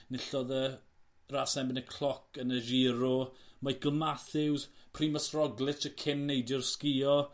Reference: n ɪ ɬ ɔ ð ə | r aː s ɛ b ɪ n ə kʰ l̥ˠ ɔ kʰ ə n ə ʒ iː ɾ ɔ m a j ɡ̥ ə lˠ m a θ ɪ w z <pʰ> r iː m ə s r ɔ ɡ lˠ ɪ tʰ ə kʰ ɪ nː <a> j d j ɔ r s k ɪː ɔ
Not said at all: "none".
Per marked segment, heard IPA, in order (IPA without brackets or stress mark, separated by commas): pʰ, e